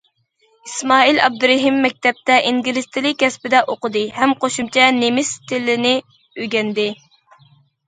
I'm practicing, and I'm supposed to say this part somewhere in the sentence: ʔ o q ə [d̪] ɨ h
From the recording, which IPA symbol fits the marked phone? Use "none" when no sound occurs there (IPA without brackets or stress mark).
d̪